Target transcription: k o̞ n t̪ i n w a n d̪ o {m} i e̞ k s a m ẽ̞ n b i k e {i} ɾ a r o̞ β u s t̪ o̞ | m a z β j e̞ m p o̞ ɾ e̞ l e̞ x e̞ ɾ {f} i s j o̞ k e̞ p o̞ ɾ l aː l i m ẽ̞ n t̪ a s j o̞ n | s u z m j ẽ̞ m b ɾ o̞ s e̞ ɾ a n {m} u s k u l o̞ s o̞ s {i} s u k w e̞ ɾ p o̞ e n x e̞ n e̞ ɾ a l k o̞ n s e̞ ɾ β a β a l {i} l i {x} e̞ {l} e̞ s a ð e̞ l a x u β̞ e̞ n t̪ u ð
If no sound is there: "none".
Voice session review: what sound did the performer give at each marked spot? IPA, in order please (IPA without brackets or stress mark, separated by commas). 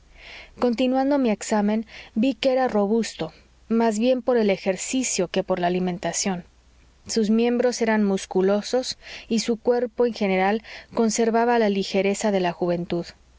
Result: m, e, s, m, i, a, x, ɾ